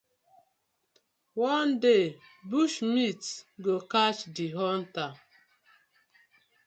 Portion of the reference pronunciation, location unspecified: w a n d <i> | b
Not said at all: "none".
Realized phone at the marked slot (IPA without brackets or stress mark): e